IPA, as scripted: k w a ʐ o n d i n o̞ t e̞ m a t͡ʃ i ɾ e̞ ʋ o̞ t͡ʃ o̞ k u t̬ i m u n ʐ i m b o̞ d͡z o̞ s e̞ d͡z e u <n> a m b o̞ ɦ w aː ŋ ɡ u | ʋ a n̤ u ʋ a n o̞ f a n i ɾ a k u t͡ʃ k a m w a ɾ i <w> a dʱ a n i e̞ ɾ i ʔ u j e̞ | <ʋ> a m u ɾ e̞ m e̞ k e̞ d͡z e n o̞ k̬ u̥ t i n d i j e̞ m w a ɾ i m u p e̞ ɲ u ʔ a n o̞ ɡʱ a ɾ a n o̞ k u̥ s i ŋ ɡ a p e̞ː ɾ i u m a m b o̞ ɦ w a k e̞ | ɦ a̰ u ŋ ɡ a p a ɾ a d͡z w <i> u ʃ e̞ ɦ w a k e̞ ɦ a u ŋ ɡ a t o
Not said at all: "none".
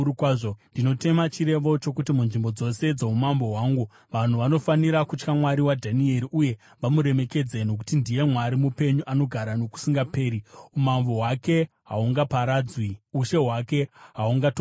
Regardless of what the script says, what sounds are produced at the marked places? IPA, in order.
m, w, ʋ, i

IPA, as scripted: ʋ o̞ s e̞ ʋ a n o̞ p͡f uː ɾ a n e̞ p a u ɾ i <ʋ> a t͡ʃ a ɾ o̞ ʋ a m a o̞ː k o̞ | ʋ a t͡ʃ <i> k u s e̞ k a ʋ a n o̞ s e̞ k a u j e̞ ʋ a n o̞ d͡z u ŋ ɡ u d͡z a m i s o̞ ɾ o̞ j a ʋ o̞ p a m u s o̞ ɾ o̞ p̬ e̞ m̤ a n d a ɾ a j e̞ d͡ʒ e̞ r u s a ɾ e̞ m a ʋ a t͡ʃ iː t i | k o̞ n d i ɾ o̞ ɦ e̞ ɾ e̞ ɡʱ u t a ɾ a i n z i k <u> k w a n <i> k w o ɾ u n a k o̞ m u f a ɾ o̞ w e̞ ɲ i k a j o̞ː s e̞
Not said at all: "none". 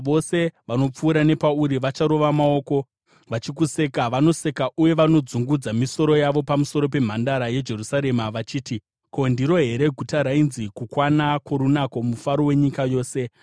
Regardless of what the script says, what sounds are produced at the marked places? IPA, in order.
ʋ, i, u, a

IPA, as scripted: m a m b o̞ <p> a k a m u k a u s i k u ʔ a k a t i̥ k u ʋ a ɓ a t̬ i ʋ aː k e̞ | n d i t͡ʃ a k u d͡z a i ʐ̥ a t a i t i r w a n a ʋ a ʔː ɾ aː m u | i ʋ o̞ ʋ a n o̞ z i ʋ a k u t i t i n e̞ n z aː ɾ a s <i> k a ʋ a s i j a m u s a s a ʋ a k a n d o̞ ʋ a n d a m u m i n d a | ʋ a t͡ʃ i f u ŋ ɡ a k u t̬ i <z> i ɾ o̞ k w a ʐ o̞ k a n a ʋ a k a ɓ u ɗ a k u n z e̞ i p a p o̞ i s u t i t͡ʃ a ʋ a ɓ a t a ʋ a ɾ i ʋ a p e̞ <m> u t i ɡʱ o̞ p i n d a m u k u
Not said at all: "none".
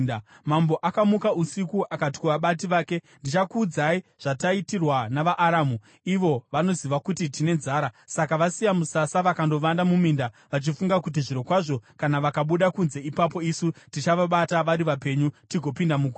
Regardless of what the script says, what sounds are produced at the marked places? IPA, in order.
ʔ, a, ʐ, ɲ

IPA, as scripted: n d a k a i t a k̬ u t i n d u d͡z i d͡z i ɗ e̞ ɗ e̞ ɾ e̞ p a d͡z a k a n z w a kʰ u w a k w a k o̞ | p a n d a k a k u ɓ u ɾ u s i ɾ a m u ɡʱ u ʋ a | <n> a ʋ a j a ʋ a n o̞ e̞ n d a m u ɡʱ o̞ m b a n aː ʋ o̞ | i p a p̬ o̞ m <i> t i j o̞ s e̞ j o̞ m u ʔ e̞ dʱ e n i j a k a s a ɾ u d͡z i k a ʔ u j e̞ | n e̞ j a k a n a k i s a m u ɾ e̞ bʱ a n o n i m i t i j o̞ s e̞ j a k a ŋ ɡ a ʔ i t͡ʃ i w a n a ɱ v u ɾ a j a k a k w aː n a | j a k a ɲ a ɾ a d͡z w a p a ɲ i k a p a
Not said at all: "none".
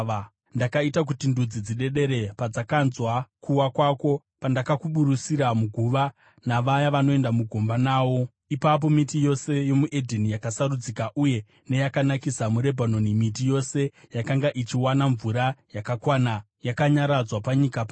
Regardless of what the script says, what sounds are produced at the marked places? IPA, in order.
n, i

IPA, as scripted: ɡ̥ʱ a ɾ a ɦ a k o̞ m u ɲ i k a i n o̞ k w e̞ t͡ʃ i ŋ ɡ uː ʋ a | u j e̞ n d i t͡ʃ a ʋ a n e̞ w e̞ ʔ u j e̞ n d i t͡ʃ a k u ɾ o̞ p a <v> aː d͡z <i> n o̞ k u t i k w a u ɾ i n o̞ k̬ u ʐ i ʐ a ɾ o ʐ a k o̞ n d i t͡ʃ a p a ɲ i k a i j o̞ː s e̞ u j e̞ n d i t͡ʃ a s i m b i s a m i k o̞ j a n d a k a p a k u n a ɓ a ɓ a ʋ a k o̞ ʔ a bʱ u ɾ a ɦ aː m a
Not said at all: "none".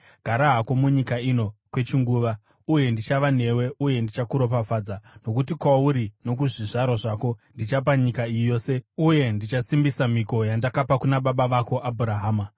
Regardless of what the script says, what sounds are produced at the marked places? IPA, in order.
f, a

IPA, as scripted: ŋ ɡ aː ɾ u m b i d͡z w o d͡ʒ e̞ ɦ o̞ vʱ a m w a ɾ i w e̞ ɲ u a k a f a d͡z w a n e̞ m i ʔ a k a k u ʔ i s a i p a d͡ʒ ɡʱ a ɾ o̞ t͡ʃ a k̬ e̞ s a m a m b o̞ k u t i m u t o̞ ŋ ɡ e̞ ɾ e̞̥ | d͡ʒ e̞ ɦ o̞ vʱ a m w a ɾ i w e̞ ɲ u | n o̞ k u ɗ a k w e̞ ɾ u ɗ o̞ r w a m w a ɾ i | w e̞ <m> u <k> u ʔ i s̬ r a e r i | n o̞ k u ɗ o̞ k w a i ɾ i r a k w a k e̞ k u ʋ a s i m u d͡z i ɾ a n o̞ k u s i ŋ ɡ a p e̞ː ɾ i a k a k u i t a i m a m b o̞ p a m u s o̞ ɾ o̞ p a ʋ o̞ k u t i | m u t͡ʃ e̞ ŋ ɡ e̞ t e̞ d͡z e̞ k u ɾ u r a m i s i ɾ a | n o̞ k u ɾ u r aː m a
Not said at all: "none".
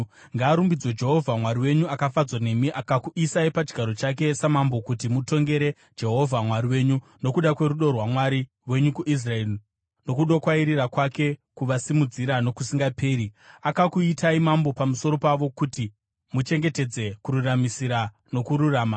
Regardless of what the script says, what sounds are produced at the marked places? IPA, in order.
ɲ, k

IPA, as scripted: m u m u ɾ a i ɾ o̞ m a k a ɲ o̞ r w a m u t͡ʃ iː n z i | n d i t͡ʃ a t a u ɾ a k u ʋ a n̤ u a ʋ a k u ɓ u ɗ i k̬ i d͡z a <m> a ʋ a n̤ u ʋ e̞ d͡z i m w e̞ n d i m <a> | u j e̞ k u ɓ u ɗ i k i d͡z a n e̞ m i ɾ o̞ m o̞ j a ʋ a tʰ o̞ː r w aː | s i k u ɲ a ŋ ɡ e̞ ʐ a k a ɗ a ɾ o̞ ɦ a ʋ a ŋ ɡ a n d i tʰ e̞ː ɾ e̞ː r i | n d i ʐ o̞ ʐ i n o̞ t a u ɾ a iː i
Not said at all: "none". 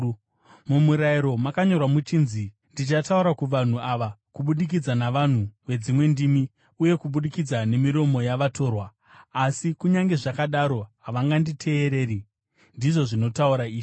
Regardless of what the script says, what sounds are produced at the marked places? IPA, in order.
n, i

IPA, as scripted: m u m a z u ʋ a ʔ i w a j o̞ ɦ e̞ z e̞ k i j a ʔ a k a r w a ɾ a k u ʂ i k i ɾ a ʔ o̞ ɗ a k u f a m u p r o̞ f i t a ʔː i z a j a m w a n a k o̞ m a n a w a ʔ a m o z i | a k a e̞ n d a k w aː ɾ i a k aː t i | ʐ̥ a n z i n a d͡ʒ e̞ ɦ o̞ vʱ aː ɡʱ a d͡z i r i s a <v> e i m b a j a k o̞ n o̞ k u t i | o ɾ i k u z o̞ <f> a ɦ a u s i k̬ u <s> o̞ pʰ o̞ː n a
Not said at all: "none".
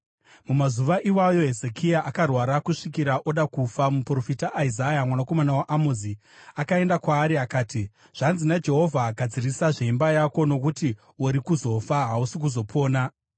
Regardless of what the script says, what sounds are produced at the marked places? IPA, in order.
ʐ, f, z

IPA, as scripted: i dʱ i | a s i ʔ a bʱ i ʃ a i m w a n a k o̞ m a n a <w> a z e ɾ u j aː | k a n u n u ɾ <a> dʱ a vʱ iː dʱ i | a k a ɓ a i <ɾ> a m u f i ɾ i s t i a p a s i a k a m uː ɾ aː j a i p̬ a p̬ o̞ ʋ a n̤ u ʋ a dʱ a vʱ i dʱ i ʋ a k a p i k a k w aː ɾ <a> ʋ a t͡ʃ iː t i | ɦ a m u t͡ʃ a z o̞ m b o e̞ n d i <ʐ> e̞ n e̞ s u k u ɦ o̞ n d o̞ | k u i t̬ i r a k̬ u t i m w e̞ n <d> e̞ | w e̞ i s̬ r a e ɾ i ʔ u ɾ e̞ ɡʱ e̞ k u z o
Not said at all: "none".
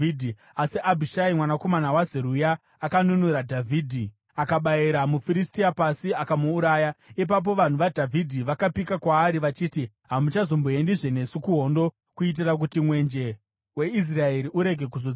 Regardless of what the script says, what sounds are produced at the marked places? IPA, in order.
w, a, ɾ, i, ʐ, d͡ʒ

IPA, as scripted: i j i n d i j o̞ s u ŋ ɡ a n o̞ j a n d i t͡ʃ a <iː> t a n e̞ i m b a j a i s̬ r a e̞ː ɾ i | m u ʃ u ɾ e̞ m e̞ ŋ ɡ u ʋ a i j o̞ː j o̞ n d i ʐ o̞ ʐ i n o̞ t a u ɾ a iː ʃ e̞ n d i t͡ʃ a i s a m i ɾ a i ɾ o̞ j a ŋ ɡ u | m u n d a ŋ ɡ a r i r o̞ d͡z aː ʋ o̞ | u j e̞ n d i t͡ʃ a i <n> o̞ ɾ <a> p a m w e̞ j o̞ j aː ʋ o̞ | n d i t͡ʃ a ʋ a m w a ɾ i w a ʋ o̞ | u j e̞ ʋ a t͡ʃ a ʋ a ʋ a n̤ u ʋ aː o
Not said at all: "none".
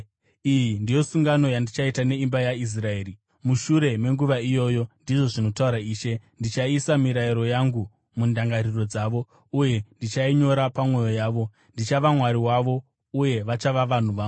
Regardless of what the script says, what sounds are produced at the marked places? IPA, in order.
i, ɲ, a

